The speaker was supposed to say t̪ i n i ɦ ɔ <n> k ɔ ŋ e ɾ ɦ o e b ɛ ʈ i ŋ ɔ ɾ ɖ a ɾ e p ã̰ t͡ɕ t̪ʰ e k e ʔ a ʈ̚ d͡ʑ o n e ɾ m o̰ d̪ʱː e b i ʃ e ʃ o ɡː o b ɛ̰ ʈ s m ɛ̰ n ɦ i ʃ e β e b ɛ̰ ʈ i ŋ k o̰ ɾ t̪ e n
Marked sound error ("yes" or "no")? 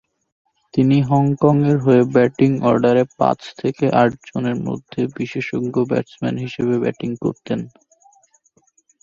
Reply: yes